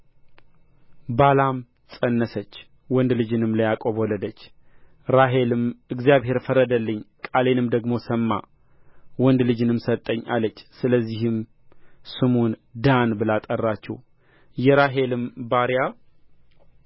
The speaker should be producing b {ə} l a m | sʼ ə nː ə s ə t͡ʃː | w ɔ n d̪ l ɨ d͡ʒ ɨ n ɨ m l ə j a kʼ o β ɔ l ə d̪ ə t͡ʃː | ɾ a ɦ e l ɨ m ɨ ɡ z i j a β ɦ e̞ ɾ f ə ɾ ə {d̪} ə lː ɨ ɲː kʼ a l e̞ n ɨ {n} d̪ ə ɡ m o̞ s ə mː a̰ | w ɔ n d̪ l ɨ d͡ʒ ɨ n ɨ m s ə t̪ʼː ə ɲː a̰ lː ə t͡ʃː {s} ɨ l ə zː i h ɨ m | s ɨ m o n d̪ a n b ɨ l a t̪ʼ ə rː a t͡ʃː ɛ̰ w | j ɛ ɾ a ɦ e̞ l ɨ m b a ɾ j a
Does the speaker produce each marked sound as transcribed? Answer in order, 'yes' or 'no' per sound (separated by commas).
no, yes, no, yes